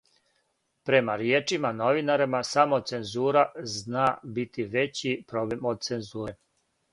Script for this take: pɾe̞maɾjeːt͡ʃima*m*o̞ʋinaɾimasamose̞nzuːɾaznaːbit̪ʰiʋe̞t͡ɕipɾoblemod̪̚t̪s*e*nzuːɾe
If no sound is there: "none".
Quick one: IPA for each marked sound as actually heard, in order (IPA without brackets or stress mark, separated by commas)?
n, e